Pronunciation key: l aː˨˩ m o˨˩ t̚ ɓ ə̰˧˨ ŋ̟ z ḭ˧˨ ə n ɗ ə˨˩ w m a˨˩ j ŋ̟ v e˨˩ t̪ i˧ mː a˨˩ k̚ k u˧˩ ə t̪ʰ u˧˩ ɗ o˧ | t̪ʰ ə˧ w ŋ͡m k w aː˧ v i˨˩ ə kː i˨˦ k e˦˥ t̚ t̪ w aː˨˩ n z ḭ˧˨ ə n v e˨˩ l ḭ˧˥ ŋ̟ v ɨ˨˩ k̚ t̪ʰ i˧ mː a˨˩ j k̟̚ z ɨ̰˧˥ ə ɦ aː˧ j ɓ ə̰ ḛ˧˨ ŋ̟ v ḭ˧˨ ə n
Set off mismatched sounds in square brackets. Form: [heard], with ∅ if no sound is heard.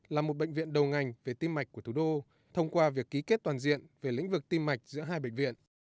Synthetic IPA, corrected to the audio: l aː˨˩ m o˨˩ t̚ ɓ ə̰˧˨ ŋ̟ [v] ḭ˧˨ ə n ɗ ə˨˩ w [ŋ] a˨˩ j ŋ̟ v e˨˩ t̪ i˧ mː a˨˩ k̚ k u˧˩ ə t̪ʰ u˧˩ ɗ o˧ | t̪ʰ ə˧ w ŋ͡m k w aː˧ v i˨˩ ə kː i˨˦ k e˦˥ t̚ t̪ w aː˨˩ n z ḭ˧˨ ə n v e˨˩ l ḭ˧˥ ŋ̟ v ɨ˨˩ k̚ [t̪] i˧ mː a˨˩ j k̟̚ z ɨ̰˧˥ ə ɦ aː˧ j ɓ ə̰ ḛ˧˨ ŋ̟ v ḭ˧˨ ə n